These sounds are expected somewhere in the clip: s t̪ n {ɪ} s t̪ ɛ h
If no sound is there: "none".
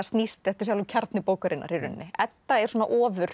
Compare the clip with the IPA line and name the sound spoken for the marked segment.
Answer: i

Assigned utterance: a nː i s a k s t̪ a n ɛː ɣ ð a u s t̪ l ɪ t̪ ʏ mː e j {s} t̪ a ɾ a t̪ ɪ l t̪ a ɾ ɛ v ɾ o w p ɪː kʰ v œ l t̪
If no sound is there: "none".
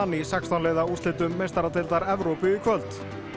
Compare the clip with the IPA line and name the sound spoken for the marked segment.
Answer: s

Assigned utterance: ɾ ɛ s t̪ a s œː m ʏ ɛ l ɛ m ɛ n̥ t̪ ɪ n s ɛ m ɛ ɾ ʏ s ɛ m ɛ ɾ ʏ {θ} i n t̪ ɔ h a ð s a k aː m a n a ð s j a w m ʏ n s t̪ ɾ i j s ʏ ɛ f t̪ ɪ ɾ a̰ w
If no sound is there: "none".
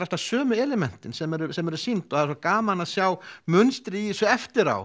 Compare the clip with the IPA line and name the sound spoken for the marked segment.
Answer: s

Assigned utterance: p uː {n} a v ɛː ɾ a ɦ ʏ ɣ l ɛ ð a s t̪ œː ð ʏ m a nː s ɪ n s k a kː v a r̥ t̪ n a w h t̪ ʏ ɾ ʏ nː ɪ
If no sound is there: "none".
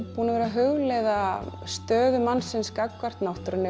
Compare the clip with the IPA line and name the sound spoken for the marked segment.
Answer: n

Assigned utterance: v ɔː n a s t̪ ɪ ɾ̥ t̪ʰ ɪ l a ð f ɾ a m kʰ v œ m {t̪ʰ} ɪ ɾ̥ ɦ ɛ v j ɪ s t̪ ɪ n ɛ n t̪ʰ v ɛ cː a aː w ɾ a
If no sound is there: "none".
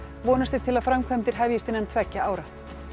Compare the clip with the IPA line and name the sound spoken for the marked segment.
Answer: t̪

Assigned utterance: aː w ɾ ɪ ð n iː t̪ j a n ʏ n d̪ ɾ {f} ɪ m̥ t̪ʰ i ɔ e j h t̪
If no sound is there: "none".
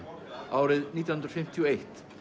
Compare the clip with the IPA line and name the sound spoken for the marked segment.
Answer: f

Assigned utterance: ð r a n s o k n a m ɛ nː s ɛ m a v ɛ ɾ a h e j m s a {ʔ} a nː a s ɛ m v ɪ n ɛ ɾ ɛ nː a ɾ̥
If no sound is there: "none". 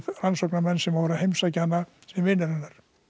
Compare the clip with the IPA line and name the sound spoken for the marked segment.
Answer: c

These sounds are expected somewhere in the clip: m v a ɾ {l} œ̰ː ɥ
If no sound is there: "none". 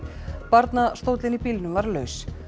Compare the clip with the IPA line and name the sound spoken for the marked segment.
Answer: l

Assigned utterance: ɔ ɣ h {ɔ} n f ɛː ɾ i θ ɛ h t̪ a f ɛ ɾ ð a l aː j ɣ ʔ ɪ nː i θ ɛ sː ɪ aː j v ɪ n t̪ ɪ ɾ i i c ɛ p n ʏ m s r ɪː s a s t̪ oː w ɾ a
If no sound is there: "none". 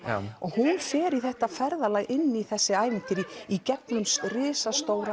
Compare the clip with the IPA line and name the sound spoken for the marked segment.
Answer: u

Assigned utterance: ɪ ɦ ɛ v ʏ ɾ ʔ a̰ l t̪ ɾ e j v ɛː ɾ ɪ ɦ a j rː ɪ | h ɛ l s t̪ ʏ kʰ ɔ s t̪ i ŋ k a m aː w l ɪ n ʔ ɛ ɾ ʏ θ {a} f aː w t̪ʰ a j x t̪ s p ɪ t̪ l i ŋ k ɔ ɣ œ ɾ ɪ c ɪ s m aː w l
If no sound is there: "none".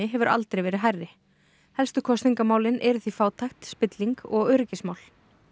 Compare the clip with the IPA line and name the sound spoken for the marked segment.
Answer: i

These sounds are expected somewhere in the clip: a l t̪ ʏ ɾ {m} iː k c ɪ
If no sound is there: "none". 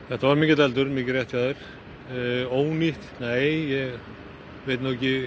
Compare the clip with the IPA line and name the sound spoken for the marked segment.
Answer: m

